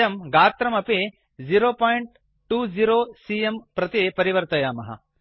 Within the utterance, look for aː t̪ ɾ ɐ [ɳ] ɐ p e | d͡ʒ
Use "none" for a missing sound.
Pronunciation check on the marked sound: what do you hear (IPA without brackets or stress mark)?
m